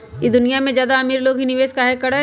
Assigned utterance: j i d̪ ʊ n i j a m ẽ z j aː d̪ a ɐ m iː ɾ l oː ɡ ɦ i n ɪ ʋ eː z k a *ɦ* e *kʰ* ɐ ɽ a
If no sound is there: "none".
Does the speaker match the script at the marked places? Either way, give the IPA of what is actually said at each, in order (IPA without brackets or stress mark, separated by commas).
ɦ, k